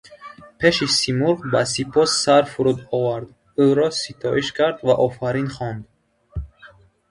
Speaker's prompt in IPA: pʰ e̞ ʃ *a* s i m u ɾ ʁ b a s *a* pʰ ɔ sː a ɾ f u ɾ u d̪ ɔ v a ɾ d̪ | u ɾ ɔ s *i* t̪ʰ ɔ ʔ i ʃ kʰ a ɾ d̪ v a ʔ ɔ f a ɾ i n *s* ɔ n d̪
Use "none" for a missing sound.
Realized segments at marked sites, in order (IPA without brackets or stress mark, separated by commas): i, i, i, χ